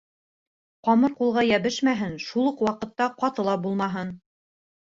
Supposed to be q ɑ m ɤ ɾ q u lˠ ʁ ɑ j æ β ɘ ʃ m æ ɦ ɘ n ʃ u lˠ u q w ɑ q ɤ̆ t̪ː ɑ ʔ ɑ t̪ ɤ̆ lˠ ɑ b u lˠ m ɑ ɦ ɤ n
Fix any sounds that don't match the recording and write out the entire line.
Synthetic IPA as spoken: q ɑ m ɤ ɾ q u lˠ ʁ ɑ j æ β ɘ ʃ m æ ɦ ɘ n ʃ u lˠ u q w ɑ q ɤ̆ t̪ː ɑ q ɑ t̪ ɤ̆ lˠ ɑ b u lˠ m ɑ ɦ ɤ n

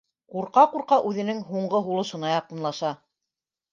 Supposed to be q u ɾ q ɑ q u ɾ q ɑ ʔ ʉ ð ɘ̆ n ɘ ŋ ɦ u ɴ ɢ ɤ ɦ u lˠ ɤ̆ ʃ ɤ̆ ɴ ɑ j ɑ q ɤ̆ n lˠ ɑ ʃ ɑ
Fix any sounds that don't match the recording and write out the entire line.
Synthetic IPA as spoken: q u ɾ q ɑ q u ɾ q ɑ ʔ ʉ ð ɘ̆ n ɘ ŋ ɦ u ɴ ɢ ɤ ɦ u lˠ ɤ̆ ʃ ɤ̆ n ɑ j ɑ q ɤ̆ n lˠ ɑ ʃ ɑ

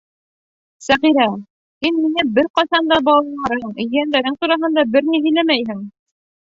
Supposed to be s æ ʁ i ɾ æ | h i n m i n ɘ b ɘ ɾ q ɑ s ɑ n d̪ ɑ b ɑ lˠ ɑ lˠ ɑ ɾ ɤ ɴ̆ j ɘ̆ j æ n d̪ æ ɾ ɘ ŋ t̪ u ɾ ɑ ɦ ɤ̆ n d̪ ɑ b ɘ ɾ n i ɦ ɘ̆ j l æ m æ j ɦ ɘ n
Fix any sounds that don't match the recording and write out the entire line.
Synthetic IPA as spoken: s æ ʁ i ɾ æ | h i n m i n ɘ b ɘ ɾ q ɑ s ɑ n d̪ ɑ b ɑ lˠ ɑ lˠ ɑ ɾ ɤ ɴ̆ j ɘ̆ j æ n d̪ æ ɾ ɘ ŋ t̪ u ɾ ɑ ɦ ɤ̆ n d̪ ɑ b ɘ ɾ n i ɦ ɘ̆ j l æ m æ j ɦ ɘ ŋ

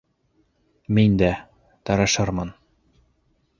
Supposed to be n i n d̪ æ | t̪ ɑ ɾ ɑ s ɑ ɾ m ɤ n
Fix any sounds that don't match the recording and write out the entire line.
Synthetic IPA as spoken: m i n d̪ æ | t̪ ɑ ɾ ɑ ʃ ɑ ɾ m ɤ n

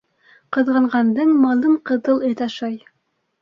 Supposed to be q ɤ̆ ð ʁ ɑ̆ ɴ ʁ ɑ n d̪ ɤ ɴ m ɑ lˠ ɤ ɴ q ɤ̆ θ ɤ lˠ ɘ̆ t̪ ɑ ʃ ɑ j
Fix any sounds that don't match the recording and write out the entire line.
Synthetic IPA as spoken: q ɤ̆ ð ʁ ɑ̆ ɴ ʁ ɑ n d̪ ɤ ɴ m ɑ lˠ ɤ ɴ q ɤ̆ ð ɤ lˠ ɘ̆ t̪ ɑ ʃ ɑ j

